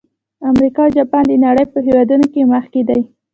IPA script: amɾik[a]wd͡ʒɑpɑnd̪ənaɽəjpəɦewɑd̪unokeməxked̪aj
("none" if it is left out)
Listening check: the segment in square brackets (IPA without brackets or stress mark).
ɑ